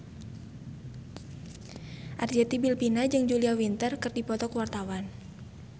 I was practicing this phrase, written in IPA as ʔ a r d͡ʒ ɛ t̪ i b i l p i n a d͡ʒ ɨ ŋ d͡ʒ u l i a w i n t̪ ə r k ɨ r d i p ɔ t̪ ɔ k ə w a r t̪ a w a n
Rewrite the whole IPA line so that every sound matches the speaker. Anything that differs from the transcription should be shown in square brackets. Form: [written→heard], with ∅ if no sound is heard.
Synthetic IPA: ʔ a r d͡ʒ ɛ t̪ i b i l p i n a d͡ʒ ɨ ŋ d͡ʒ u l i a w i n t̪ ə r k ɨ r d i p ɔ t̪ ɔ k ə w a r t̪ a w a n